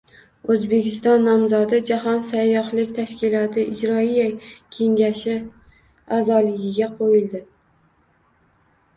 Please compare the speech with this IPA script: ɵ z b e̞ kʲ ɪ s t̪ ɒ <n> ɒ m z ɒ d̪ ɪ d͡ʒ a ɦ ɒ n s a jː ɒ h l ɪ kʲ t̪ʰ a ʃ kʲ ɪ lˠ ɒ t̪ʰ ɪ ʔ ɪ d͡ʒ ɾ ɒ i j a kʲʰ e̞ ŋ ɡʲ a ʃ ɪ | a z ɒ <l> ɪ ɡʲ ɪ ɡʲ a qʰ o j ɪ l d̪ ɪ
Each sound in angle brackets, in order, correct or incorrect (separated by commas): incorrect, correct